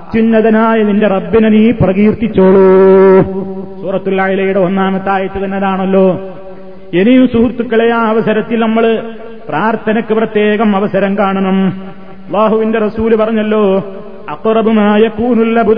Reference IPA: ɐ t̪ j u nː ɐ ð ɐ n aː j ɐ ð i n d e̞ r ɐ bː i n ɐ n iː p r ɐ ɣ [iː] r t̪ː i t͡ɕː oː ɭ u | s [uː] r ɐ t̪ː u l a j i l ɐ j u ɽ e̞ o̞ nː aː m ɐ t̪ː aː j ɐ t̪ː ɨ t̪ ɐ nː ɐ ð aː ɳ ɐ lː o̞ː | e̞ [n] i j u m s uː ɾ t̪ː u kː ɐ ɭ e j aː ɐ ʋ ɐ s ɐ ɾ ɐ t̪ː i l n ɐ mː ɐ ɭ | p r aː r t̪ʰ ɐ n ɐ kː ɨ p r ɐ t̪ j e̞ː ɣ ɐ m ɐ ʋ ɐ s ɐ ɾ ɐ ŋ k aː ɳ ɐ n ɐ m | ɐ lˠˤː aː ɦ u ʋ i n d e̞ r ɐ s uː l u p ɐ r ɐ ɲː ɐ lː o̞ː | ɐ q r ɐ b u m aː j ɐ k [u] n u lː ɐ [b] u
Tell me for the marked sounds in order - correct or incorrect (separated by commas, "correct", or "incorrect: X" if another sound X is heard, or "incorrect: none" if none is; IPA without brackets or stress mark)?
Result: correct, correct, correct, incorrect: uː, correct